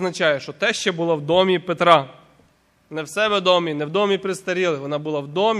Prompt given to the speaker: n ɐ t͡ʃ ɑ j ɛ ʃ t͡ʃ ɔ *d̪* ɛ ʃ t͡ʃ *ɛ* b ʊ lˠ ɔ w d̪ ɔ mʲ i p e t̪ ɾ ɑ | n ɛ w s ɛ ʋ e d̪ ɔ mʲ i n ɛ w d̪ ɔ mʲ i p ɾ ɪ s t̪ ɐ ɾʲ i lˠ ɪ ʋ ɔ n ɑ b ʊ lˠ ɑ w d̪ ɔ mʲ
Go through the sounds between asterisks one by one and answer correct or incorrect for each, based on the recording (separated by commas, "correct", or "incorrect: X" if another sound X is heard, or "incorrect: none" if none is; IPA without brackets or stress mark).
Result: incorrect: t̪, correct